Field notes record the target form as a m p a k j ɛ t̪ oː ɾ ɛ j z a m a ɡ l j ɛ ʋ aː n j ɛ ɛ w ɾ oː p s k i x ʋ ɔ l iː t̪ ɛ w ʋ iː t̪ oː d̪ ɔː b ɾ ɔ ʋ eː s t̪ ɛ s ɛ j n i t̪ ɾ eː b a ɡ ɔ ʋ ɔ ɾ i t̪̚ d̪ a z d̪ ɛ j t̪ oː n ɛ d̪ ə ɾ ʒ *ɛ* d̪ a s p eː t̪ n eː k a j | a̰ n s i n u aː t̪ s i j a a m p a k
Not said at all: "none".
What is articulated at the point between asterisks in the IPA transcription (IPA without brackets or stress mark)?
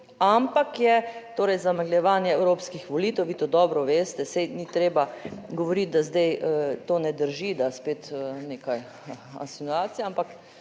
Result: i